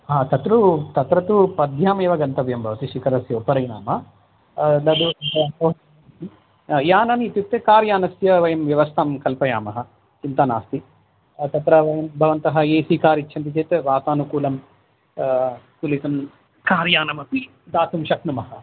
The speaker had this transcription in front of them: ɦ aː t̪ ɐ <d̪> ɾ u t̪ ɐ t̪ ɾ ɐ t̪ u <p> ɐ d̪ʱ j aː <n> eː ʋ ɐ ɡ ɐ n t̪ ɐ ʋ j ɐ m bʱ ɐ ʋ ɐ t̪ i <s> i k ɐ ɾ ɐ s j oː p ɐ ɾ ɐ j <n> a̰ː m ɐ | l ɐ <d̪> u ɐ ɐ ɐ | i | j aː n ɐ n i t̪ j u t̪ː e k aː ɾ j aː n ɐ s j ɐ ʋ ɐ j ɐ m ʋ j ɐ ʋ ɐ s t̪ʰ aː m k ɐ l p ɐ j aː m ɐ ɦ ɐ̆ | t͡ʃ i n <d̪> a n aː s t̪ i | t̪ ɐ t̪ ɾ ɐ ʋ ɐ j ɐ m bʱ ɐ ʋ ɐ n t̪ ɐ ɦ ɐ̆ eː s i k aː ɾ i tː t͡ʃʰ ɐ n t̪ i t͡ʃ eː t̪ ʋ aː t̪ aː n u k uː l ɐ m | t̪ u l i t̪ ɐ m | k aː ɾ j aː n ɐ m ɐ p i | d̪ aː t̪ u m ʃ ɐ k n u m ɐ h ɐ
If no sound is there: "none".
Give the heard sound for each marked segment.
t̪, p, m, ʃ, n, d̪, t̪

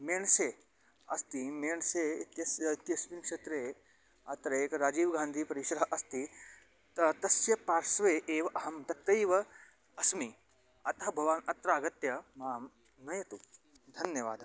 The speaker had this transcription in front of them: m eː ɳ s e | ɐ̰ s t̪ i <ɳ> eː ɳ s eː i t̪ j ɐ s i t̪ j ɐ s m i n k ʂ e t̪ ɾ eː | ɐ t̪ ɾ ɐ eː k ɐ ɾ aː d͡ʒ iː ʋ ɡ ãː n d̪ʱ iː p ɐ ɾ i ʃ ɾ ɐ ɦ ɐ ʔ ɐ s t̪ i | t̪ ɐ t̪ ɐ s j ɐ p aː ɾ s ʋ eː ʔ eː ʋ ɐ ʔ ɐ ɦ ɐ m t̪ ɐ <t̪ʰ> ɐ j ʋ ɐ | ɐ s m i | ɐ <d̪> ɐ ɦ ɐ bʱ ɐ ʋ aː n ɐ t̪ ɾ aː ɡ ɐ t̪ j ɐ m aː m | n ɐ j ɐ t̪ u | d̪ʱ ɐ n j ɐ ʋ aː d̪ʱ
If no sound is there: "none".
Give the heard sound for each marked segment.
m, t̪, t̪

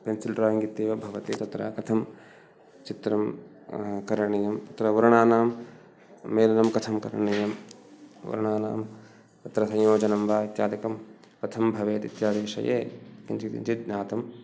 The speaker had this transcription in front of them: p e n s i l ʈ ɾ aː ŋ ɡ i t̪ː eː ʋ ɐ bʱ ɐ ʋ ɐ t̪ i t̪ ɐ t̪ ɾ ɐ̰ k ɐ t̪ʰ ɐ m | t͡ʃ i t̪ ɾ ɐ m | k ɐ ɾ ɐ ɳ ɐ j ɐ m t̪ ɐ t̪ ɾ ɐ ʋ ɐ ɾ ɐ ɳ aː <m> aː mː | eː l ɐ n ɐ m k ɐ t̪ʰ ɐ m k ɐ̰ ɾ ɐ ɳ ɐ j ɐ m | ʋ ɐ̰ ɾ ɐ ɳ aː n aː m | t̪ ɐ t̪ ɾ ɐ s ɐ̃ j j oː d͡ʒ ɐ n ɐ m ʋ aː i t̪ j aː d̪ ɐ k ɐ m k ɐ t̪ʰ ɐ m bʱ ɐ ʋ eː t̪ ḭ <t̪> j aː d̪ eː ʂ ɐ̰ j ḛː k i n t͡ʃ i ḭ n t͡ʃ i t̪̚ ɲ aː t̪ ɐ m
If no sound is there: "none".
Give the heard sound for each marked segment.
n, t̪

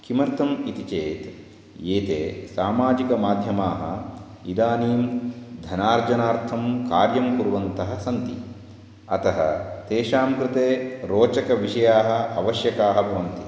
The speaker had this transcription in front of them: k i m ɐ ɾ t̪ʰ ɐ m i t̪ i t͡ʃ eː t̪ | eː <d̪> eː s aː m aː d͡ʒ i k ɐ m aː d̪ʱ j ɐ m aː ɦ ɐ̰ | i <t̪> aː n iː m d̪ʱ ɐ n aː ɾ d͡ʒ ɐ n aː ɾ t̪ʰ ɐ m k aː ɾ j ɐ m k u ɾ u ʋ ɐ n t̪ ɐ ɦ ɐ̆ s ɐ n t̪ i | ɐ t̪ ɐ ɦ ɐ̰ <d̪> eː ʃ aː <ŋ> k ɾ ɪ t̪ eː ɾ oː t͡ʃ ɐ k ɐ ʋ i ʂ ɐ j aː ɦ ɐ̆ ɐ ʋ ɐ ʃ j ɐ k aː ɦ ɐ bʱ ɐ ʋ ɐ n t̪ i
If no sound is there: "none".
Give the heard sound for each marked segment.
t̪, d̪, t̪, m

